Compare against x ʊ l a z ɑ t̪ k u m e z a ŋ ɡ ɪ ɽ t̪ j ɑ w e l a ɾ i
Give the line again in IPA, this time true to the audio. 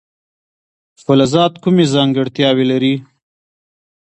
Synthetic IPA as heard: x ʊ l a z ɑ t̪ k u m e z ɑ ŋ ɡ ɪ ɽ t̪ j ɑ w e l a ɾ i